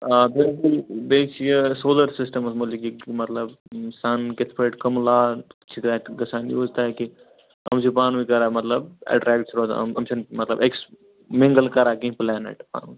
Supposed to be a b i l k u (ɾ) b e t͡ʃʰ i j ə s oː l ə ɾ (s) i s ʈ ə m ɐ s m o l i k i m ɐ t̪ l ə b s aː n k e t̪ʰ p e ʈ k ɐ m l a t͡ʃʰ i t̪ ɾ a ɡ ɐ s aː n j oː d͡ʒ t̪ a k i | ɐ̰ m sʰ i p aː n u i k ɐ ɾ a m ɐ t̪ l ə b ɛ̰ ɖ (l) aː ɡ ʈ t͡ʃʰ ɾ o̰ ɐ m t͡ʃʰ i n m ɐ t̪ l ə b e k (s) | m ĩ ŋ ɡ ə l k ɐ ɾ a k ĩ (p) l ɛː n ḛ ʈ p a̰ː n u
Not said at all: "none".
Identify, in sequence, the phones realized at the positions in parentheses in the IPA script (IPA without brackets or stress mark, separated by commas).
l, s, ɾ, s, p